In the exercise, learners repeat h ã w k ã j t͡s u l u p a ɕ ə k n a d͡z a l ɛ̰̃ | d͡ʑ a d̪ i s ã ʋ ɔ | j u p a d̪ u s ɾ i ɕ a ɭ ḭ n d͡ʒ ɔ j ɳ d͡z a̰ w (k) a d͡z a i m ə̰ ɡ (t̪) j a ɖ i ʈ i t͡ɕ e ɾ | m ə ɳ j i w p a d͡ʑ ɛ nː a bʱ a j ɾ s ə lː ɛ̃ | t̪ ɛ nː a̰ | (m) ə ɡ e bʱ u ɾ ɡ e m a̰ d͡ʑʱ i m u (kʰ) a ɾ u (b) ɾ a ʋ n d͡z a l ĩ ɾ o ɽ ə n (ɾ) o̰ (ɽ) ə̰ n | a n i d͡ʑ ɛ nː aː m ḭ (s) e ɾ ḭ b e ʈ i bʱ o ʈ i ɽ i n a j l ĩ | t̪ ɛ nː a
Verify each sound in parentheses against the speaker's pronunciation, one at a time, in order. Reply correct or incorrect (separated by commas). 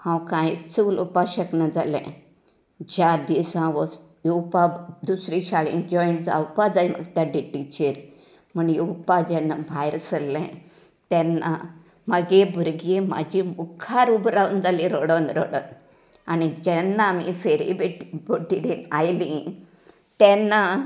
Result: incorrect, correct, correct, correct, correct, correct, correct, incorrect